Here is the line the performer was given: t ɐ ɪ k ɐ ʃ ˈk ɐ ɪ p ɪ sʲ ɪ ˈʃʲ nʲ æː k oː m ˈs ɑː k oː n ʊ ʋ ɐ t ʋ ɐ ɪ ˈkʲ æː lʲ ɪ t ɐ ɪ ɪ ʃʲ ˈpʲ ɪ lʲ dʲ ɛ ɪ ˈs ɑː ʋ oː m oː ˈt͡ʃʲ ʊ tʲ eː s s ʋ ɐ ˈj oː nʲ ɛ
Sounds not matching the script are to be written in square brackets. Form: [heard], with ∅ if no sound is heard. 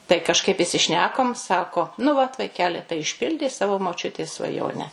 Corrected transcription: t ɐ ɪ k ɐ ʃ ˈk ɐ ɪ p ɪ sʲ ɪ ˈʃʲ nʲ æː k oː m ˈs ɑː k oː n ʊ ʋ ɐ t ʋ ɐ ɪ ˈkʲ æː lʲ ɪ t ɐ ɪ ɪ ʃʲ ˈpʲ ɪ lʲ dʲ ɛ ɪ ˈs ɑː ʋ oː m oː ˈt͡ʃʲ ʊ tʲ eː s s ʋ ɐ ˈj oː nʲ ɛ